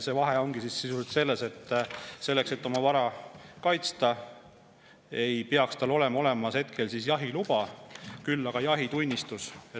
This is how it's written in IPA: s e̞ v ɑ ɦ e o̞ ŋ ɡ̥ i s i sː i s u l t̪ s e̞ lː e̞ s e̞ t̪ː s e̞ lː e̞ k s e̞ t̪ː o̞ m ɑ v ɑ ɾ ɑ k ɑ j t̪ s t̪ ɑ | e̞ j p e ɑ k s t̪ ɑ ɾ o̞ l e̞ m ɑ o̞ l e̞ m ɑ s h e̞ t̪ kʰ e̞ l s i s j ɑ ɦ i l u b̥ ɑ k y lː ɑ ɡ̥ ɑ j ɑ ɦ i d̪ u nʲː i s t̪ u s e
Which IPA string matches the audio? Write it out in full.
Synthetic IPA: s e̞ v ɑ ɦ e o̞ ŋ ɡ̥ i s i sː i s u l t̪ s e̞ lː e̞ s e̞ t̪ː s e̞ lː e̞ k s e̞ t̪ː o̞ m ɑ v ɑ ɾ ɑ k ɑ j t̪ s t̪ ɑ | e̞ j p e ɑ k s t̪ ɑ l o̞ l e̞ m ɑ o̞ l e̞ m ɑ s h e̞ t̪ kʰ e̞ l s i s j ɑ ɦ i l u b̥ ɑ k y lː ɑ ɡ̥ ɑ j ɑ ɦ i t̪ u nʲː i s t̪ u s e